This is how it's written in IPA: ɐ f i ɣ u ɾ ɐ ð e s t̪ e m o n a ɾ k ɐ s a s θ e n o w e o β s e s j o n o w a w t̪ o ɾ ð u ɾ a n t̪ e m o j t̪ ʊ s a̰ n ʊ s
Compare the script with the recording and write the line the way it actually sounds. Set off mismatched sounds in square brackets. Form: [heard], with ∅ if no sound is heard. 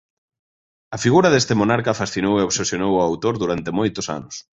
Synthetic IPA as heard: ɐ f i ɣ u ɾ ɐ ð e s t̪ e m o n a ɾ k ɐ [f] a s θ [i] n o w e o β s e s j o n o w a w t̪ o ɾ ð u ɾ a n t̪ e m o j t̪ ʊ s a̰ n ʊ s